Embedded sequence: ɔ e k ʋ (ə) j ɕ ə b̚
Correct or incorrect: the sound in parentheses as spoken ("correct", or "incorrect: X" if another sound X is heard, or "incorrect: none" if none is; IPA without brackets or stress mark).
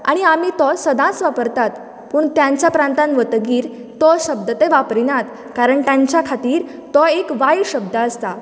incorrect: a